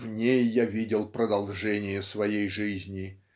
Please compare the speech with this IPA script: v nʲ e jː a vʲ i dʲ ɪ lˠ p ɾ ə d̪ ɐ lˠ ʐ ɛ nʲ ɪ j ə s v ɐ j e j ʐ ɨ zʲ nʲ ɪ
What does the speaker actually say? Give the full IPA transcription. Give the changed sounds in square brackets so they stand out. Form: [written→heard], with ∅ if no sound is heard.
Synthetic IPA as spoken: v nʲ e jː a vʲ i dʲ ɪ lˠ p ɾ ə d̪ ɐ lˠ ʐ ɛ nʲ ɪ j ə s v ɐ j e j ʐ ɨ zʲ nʲ ɪ